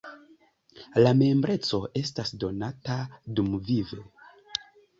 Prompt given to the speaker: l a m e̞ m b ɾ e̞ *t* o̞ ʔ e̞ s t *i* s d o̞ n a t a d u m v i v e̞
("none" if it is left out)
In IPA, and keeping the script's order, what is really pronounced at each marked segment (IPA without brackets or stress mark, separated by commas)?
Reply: t͡s, a